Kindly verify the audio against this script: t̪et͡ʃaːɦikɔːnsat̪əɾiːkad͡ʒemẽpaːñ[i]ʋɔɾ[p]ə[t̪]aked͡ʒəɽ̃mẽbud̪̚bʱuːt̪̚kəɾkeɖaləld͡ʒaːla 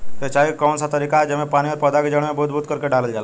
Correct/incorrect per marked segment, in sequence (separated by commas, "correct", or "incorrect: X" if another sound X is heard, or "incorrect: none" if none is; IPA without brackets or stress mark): correct, correct, incorrect: d̪